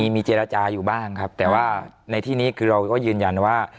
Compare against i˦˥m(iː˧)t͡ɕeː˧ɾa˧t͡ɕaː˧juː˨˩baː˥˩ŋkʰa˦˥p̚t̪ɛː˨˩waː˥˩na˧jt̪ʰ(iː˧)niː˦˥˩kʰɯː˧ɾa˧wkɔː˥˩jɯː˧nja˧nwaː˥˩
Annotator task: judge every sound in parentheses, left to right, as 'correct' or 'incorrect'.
correct, incorrect: iː˥˩

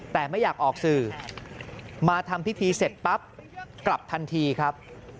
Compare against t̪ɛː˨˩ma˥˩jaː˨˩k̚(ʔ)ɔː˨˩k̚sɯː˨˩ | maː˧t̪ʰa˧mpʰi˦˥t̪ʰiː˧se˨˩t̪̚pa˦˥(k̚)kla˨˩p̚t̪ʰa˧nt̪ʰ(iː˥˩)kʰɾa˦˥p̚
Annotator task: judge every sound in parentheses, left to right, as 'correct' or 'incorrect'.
correct, incorrect: p̚, incorrect: iː˧

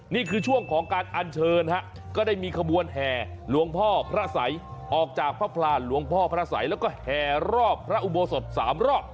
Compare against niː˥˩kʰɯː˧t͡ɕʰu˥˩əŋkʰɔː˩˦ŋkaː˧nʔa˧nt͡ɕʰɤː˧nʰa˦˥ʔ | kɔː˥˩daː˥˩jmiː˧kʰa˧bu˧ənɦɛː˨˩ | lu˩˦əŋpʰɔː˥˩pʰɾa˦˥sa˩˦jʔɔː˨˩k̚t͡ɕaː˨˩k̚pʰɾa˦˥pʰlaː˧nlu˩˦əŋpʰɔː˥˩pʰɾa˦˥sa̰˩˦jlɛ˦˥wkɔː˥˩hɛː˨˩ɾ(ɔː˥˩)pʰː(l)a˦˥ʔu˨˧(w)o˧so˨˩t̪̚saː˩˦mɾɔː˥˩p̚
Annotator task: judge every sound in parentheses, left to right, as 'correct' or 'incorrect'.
correct, incorrect: ɾ, incorrect: b

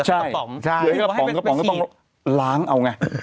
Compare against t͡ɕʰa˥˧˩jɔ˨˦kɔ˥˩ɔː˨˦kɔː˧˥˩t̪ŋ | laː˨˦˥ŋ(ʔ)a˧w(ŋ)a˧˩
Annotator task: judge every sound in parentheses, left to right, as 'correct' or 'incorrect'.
correct, correct

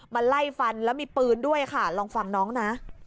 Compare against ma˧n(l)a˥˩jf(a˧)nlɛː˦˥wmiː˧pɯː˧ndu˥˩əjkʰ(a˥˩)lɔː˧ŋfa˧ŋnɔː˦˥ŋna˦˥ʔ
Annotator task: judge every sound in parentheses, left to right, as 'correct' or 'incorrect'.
correct, correct, correct

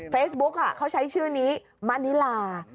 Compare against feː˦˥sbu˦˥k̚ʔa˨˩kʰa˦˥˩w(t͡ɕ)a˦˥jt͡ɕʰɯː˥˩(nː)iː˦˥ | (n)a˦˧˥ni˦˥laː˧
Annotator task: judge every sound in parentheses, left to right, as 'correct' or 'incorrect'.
incorrect: t͡ɕʰ, incorrect: n, incorrect: m

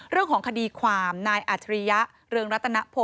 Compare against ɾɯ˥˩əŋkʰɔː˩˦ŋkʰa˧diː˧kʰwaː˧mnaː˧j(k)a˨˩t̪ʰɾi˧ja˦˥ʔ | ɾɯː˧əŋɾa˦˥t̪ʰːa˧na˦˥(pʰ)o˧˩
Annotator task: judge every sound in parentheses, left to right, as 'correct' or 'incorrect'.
incorrect: ʔ, correct

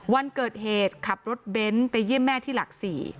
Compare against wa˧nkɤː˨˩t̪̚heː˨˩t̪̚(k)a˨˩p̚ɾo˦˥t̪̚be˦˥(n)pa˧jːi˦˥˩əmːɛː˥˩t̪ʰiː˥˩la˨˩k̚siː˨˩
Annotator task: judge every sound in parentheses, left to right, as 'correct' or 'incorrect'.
incorrect: kʰ, correct

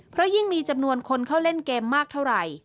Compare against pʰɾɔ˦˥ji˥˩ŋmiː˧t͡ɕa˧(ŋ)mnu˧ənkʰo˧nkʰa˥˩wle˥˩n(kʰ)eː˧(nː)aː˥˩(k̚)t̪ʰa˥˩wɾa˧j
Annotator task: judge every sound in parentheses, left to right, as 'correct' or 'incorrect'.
incorrect: none, incorrect: k, incorrect: mː, correct

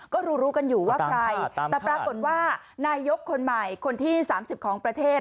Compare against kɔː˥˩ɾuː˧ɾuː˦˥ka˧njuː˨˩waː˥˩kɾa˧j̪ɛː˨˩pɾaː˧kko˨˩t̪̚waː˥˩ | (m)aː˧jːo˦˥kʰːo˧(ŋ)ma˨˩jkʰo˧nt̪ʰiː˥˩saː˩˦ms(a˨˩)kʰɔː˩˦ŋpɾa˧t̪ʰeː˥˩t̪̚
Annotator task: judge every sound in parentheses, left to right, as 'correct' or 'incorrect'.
incorrect: n, incorrect: n, incorrect: i˨˩

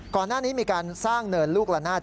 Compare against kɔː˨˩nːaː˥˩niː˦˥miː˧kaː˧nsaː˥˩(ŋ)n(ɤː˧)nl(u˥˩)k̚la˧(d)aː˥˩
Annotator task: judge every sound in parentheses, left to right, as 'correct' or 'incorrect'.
correct, correct, incorrect: uː˥˩, incorrect: n

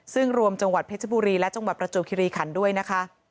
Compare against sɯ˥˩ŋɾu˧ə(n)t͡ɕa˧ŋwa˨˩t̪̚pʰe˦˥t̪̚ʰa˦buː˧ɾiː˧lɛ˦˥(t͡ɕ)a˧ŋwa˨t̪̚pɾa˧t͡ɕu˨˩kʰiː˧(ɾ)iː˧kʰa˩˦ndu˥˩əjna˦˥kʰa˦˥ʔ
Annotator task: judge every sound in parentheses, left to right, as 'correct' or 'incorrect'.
incorrect: m, correct, correct

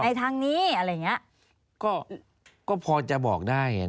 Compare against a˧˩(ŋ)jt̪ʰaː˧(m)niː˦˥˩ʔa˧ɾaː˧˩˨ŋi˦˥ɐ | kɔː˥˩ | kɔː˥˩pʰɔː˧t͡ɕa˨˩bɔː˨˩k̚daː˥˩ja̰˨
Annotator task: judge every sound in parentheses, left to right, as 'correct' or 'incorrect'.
incorrect: none, incorrect: ŋ

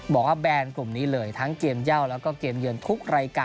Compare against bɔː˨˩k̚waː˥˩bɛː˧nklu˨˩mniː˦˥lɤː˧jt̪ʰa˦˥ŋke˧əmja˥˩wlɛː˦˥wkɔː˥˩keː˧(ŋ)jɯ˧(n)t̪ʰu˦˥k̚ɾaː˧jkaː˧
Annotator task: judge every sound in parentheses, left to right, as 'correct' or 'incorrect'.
incorrect: m, correct

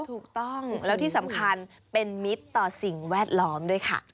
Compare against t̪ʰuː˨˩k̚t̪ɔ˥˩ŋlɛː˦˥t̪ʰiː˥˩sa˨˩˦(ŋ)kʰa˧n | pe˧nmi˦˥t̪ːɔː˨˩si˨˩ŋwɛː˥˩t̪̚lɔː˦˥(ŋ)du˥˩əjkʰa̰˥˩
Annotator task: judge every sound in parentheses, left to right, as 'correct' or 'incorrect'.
incorrect: m, incorrect: m

